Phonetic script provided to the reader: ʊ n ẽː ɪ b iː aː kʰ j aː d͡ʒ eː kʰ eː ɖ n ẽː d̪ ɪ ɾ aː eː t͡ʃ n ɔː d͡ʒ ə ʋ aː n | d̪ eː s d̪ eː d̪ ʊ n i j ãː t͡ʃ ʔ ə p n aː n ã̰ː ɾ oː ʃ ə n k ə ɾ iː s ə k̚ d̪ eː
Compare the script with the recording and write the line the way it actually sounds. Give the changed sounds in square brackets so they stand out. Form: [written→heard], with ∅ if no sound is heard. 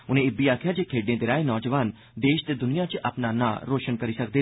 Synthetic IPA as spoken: ʊ n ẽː ɪ b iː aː kʰ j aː d͡ʒ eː kʰ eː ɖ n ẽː d̪ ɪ ɾ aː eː [t͡ʃ→∅] n ɔː d͡ʒ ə ʋ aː n | d̪ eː [s→ʃ] d̪ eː d̪ ʊ n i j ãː t͡ʃ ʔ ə p n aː n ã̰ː ɾ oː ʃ ə n k ə ɾ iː s ə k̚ d̪ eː